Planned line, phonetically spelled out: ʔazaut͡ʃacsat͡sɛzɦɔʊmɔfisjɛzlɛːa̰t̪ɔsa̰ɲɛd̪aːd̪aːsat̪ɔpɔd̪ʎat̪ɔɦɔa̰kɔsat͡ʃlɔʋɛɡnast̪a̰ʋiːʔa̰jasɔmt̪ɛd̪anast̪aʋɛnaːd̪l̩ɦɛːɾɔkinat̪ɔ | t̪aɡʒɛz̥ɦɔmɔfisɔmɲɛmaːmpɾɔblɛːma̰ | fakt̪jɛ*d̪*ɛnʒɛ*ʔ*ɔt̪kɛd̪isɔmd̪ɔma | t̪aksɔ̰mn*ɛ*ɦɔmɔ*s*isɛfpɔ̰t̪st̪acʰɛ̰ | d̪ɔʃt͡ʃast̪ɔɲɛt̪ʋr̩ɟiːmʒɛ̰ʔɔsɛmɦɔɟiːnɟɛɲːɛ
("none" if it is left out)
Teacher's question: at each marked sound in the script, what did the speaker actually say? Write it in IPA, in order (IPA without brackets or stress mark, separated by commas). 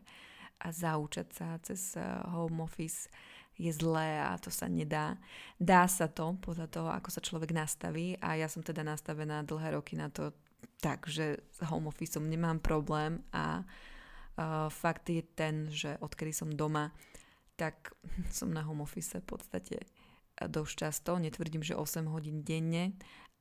t̪, ʔ, a, f